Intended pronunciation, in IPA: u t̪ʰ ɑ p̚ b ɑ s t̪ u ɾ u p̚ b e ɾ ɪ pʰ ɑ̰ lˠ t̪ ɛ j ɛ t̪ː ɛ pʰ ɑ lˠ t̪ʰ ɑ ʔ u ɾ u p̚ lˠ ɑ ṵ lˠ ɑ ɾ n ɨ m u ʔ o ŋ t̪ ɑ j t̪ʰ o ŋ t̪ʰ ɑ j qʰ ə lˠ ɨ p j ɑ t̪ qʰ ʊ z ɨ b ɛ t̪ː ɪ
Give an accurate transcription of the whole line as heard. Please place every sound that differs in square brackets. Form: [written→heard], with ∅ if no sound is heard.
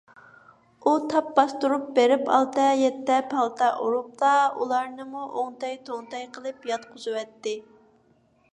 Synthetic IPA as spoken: u t̪ʰ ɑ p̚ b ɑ s t̪ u ɾ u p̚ b e ɾ ɪ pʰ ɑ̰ lˠ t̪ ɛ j ɛ t̪ː ɛ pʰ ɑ lˠ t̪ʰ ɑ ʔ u ɾ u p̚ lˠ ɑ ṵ lˠ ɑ ɾ n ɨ m u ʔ o ŋ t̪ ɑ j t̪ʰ o ŋ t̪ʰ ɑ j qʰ ə lˠ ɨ p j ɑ t̪ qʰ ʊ z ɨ [b→w] ɛ t̪ː ɪ